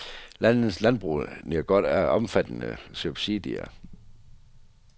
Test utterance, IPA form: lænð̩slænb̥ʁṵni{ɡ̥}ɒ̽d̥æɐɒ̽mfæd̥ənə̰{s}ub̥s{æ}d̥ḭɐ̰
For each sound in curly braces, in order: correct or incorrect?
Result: correct, correct, incorrect: i

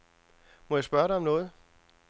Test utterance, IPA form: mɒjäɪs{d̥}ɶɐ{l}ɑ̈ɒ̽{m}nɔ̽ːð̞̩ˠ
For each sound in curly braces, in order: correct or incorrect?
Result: incorrect: b̥, incorrect: ɾ, correct

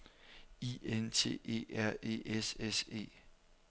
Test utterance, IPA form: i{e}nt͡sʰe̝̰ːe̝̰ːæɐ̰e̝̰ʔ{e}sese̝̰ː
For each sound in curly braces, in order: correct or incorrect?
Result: correct, correct

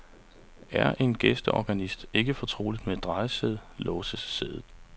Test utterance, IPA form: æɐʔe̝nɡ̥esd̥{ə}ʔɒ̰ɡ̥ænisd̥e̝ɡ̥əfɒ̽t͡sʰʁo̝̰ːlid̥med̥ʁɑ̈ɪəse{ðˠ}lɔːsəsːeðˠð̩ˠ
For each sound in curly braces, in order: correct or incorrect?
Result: correct, correct

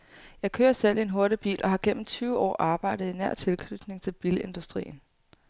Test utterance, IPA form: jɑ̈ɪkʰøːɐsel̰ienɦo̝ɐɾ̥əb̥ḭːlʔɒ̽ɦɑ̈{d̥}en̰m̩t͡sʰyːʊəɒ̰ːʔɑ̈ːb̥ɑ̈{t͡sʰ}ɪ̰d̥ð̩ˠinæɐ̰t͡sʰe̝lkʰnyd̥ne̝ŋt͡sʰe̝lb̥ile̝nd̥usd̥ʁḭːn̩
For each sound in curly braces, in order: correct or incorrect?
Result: incorrect: ɡ̥, incorrect: none

